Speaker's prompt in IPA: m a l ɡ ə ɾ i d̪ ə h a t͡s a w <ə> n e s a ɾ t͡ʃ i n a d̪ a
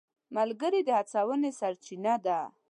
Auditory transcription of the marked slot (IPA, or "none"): ə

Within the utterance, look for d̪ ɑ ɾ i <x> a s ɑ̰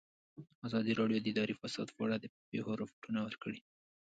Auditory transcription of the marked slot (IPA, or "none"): f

